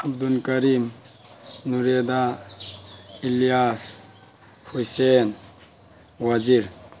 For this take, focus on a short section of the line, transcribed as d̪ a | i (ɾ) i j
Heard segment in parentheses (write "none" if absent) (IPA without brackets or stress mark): l